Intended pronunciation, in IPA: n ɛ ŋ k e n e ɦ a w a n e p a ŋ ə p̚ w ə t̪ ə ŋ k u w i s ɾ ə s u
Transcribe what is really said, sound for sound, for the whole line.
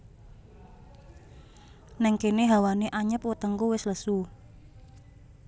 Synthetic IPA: n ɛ ŋ k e n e ɦ a w a n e ʔ a ɲ ə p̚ w ə t̪ ə ŋ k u w ɪ s l ə s u